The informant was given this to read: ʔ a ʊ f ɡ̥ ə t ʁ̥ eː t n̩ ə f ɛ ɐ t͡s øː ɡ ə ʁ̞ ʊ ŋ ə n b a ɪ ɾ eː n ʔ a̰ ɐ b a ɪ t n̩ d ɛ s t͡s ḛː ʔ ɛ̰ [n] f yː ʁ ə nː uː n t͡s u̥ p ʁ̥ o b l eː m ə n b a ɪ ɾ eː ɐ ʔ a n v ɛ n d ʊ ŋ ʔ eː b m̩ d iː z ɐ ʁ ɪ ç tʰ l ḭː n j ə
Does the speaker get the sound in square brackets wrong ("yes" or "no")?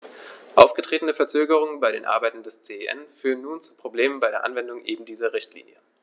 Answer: no